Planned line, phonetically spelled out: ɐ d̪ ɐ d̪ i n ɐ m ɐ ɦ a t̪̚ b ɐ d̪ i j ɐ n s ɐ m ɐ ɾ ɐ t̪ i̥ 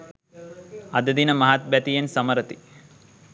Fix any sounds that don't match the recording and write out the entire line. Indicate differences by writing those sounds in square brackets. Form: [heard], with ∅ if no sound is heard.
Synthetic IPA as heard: ɐ d̪ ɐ d̪ i n ɐ m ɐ ɦ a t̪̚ b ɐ [t̪] i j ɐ n s ɐ m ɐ ɾ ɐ t̪ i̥